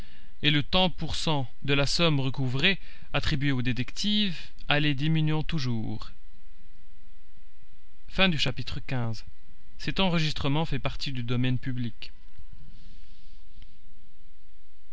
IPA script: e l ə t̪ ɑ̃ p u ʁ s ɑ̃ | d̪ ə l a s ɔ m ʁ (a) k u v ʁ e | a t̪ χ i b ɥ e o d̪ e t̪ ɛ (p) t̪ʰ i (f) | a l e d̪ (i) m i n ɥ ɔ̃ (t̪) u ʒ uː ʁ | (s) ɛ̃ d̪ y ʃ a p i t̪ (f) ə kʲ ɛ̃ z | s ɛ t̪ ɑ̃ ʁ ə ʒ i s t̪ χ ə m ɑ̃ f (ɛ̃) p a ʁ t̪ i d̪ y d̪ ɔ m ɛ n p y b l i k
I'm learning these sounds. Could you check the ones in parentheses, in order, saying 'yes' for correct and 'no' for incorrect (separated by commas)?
no, no, no, yes, yes, no, no, no